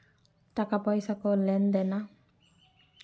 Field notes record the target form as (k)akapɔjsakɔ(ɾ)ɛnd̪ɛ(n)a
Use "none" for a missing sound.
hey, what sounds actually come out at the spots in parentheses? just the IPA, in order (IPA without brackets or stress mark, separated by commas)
t, l, n